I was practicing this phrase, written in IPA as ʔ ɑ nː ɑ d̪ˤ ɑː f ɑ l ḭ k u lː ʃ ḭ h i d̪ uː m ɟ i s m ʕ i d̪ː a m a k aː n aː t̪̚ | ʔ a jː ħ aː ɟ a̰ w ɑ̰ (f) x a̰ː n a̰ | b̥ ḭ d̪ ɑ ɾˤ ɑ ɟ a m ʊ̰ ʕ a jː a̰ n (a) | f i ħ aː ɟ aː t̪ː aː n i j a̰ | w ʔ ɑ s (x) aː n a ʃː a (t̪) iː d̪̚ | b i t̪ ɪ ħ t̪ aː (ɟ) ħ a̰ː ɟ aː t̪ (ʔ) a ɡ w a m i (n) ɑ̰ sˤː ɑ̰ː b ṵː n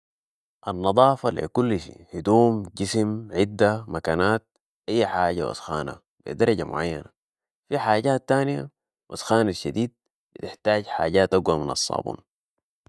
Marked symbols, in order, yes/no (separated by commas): no, yes, yes, no, yes, yes, yes